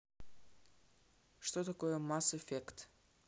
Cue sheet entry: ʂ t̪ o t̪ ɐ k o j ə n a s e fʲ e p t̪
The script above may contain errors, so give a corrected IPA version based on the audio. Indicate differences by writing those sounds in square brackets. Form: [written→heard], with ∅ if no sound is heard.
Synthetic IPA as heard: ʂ t̪ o t̪ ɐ k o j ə [n→m] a s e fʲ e [p→k] t̪